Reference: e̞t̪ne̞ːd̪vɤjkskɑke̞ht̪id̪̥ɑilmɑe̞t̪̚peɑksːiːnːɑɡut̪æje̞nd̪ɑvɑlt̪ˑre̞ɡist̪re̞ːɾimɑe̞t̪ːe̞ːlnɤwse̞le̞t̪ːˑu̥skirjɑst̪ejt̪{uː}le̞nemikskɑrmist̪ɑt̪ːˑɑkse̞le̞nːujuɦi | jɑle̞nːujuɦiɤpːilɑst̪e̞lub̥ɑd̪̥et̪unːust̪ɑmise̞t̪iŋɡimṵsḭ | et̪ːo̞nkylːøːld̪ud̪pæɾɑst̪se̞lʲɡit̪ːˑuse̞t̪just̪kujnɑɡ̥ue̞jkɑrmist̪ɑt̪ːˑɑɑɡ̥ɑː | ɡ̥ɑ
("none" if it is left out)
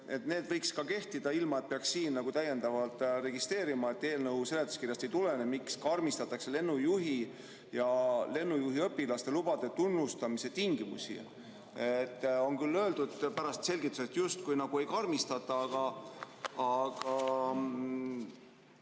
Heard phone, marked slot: u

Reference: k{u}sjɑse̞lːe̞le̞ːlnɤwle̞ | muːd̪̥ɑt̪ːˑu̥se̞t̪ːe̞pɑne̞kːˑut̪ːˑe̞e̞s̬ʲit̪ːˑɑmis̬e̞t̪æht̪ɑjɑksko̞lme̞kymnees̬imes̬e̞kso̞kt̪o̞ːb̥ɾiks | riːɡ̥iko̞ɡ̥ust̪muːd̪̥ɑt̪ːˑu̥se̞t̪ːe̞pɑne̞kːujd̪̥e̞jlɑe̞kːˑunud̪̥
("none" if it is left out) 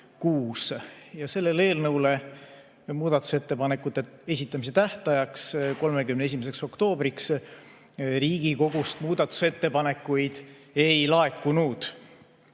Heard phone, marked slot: uː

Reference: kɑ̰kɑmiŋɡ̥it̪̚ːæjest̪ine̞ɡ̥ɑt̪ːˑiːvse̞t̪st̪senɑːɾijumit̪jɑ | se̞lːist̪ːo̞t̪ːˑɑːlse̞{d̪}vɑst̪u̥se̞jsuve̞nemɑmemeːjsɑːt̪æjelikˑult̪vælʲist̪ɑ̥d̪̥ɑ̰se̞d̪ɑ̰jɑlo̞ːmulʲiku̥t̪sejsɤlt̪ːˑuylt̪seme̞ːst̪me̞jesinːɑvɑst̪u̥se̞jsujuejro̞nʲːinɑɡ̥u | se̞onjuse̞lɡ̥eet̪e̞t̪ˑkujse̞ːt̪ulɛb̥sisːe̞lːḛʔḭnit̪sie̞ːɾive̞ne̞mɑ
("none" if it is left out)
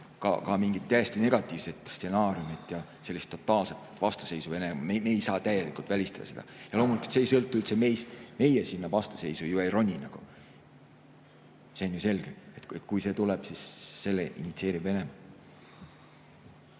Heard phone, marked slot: t̪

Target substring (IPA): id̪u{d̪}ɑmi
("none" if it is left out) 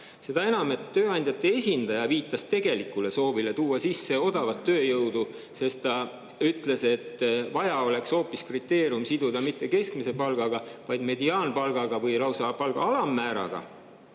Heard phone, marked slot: d̪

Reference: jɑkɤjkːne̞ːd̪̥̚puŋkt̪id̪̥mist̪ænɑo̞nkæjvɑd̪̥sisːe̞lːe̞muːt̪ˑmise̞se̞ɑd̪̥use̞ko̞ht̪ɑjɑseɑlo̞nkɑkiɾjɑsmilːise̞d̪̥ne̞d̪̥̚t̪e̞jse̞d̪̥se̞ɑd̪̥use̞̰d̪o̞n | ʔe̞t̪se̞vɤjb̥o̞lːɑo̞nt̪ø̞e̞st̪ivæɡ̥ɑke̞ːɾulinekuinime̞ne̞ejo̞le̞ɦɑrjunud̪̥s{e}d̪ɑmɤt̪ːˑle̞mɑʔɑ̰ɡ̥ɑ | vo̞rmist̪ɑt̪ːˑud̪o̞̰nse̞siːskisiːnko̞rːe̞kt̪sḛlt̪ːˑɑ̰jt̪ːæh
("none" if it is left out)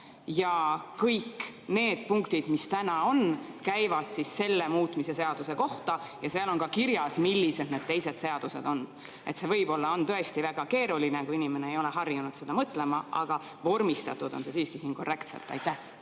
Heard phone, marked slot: e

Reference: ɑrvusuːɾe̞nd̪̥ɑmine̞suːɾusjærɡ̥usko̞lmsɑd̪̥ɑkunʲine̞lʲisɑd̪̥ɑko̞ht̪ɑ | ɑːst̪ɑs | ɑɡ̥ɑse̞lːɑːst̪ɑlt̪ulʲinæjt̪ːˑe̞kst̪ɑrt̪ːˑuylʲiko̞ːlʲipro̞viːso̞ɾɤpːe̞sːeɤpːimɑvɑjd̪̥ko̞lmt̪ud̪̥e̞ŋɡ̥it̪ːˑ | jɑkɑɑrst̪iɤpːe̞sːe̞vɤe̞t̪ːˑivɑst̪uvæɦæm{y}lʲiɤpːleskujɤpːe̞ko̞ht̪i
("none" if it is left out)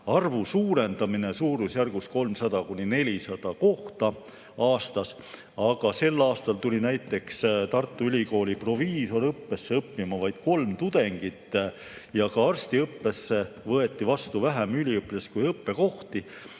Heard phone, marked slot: y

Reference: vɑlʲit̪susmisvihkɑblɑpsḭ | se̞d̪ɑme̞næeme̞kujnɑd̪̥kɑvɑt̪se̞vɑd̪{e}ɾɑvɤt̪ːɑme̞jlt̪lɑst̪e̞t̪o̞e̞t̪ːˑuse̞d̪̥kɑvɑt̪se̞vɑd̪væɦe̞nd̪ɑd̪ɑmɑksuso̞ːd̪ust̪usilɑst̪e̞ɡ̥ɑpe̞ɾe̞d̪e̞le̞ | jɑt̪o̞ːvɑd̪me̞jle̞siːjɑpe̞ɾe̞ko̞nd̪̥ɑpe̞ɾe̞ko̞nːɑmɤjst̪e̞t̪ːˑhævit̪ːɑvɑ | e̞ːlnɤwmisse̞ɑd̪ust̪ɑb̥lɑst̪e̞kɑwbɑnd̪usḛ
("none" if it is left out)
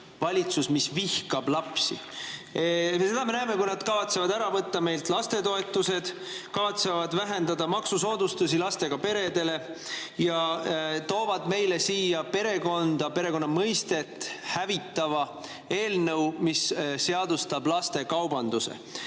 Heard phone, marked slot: æ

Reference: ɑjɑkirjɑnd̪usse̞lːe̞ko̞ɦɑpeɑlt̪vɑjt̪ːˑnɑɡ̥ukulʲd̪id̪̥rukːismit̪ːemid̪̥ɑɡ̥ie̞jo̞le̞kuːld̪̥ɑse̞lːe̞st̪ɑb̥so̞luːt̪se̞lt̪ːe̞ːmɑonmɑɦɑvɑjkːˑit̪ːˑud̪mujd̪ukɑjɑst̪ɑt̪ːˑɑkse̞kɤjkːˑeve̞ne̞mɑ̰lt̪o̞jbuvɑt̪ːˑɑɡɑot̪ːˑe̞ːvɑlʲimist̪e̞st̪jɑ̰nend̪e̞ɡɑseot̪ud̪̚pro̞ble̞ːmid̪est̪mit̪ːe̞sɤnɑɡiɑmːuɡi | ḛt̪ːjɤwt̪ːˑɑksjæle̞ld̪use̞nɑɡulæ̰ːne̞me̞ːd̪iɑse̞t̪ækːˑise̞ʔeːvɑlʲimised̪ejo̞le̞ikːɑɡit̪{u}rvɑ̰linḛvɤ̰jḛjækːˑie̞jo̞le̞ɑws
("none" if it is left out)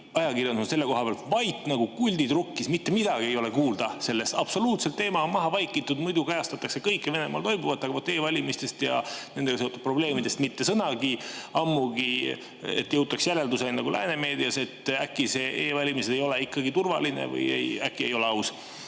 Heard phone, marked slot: u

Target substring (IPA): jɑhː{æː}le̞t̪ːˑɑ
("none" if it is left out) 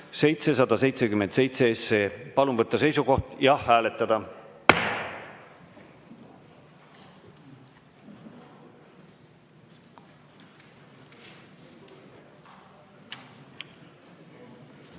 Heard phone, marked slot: æː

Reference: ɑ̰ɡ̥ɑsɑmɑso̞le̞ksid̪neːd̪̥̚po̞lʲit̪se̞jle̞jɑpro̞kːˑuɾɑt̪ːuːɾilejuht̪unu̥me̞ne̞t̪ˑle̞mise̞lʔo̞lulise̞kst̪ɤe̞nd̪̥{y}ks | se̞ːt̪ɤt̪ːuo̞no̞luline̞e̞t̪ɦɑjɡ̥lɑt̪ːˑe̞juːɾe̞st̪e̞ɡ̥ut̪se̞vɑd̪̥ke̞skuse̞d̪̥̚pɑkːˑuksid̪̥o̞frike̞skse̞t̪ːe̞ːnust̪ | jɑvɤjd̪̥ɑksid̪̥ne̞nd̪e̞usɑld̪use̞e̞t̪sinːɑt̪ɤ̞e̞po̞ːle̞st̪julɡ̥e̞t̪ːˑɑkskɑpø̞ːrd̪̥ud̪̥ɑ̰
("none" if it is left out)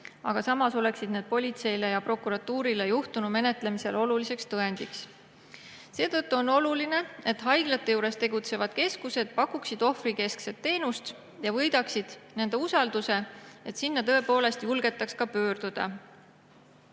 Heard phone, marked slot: i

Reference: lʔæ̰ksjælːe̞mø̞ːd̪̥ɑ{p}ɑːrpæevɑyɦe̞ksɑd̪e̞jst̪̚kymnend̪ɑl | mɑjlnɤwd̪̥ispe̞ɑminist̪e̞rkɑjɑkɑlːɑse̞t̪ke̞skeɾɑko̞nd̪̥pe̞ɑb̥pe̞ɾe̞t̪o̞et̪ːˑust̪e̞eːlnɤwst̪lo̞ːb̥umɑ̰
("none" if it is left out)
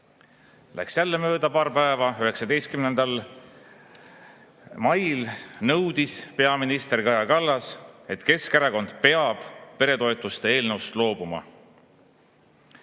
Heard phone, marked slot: p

